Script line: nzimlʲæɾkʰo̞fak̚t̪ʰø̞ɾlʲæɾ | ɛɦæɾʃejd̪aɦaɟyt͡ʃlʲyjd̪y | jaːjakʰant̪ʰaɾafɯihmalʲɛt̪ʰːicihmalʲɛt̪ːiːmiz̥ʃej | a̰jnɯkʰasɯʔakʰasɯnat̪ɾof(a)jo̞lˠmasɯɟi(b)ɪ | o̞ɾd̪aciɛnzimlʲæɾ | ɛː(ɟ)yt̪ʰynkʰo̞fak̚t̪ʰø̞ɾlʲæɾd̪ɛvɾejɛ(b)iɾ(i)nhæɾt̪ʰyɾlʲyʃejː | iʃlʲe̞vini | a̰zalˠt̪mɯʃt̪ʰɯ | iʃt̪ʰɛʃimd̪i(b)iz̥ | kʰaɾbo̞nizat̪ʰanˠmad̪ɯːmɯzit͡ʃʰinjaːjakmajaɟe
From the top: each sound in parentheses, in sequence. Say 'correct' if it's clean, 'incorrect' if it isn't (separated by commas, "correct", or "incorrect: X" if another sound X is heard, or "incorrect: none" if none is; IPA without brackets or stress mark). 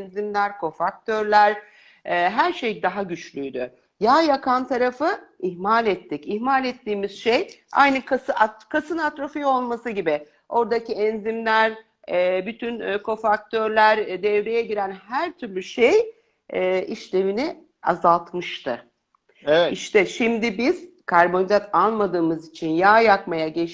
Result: incorrect: i, correct, incorrect: b, incorrect: ɟ, incorrect: æ, correct